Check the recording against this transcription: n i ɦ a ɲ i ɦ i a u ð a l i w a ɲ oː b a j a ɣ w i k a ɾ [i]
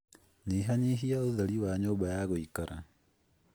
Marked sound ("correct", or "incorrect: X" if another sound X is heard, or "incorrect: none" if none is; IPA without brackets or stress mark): incorrect: a